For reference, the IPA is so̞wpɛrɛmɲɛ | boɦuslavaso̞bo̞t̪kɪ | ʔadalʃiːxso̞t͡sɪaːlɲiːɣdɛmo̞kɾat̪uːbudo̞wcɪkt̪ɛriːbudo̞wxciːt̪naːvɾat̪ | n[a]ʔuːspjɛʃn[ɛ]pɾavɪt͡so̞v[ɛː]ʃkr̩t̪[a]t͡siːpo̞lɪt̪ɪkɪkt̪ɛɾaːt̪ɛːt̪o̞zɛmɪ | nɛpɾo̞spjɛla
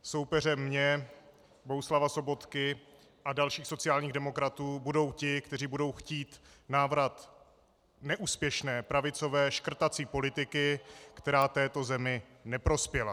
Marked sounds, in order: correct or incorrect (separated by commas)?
incorrect, incorrect, correct, correct